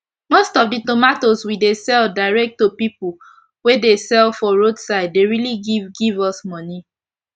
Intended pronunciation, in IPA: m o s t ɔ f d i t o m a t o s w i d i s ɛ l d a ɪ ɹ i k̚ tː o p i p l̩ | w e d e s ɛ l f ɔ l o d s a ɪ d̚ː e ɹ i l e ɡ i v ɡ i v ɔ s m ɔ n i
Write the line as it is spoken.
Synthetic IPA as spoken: m o s t ɔ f d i t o m a t o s w i d e s ɛ l d a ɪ ɹ ɛ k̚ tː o p i p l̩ | w e d e s ɛ l f ɔ ɹ o d s a ɪ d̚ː e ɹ i l i ɡ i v ɡ i v ɔ s m ɔ n i